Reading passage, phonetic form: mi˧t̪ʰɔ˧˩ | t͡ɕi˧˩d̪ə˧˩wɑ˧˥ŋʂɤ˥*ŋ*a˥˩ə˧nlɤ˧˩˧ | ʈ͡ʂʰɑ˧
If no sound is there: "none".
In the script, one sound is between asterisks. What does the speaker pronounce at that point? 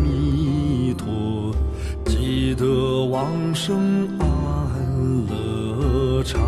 ŋ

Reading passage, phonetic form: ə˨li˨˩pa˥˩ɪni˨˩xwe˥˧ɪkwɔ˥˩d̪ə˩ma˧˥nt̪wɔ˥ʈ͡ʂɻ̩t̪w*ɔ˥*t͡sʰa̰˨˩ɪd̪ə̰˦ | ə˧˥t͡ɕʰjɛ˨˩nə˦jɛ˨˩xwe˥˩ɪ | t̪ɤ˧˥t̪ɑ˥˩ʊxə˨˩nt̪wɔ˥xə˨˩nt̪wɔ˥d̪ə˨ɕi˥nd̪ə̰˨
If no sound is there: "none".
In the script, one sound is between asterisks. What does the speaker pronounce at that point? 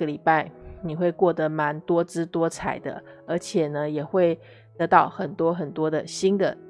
ɔ˥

